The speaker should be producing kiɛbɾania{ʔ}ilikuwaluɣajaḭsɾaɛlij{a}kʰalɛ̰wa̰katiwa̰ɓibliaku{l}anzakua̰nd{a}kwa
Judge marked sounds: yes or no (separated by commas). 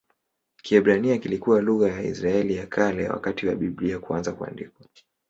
no, yes, no, no